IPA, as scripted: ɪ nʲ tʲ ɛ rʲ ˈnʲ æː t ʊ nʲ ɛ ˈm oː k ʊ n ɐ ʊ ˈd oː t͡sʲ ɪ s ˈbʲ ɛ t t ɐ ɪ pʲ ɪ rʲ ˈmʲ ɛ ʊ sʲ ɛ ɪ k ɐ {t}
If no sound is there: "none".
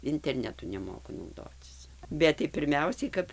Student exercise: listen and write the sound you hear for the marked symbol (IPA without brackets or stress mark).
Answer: p